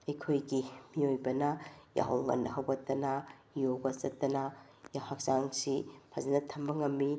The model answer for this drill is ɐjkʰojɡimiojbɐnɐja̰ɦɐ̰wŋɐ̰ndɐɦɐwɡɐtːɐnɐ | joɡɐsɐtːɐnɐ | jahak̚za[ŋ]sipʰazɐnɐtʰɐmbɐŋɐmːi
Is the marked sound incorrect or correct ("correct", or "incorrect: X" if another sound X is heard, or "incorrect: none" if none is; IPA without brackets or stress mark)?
correct